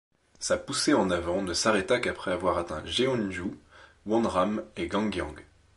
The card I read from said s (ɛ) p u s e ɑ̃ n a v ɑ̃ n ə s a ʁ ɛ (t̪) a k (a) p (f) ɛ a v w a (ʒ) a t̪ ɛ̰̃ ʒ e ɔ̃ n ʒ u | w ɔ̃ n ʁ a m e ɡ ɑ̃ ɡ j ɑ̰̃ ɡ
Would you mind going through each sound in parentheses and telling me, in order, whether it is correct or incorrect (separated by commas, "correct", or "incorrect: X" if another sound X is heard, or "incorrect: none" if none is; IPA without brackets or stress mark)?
incorrect: a, correct, correct, incorrect: χ, incorrect: ʁ